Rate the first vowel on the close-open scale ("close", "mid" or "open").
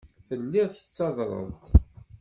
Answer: mid